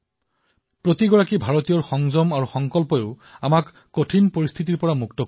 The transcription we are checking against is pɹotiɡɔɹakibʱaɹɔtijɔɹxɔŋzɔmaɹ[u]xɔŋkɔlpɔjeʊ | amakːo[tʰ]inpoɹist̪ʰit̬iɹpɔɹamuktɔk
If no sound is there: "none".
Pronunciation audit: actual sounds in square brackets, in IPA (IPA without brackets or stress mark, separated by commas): u, tʰ